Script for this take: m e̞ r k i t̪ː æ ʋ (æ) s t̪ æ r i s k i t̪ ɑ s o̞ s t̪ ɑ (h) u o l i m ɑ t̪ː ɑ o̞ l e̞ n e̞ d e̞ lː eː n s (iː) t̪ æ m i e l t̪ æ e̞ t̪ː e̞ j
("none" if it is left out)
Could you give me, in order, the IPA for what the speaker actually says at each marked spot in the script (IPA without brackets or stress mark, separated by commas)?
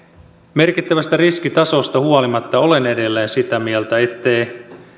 æ, h, i